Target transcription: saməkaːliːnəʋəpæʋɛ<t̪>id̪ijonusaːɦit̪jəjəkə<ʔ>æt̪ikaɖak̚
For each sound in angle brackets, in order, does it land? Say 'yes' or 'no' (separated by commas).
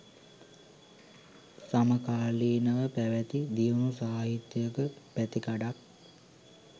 yes, no